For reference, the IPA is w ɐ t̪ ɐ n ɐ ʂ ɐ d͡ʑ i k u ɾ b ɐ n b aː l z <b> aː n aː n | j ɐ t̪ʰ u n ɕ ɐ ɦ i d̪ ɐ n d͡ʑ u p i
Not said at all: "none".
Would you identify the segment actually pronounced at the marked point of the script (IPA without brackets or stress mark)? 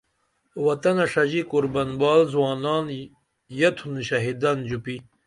w